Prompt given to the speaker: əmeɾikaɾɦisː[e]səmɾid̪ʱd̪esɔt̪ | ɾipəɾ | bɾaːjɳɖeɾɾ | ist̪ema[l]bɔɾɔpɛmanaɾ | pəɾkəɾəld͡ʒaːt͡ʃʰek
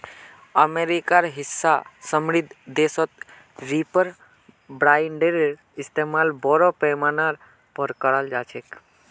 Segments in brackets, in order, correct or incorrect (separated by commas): incorrect, correct